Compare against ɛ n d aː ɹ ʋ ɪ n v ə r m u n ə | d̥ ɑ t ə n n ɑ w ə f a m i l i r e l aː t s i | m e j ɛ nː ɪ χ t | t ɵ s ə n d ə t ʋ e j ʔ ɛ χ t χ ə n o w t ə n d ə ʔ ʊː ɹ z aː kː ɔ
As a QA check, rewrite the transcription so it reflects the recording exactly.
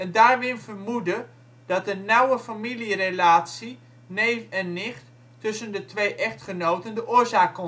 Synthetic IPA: ɛ n d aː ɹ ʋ ɪ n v ə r m u d ə | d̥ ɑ t ə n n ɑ w ə f a m i l i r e l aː t s i | n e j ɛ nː ɪ χ t | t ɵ s ə n d ə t ʋ e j ʔ ɛ χ t χ ə n o w t ə n d ə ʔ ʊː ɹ z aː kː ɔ